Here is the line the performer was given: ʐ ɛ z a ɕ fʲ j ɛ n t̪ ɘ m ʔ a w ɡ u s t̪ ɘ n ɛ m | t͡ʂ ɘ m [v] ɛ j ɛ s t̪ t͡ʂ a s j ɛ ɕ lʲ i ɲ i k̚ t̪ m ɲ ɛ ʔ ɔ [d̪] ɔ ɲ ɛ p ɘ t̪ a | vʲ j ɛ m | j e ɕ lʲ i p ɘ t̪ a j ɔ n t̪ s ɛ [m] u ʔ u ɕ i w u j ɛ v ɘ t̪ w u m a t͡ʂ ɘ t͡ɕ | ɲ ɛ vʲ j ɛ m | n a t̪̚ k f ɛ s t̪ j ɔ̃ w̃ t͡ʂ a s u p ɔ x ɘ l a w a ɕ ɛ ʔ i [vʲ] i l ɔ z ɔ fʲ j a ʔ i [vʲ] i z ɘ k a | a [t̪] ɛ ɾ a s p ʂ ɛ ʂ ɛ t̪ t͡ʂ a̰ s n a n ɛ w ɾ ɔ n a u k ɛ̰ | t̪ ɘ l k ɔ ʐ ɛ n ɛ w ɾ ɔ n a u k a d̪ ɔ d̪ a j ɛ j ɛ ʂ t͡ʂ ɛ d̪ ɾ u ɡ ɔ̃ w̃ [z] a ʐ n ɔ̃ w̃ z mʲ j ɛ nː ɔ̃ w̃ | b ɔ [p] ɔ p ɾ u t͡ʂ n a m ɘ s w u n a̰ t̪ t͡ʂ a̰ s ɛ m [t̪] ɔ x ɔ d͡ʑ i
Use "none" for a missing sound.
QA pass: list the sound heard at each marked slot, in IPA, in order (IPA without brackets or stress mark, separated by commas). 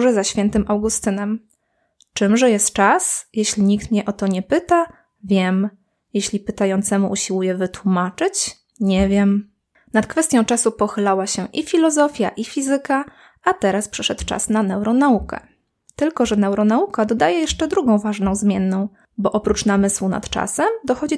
ʐ, t̪, m, fʲ, fʲ, t̪, v, ʔ, d̪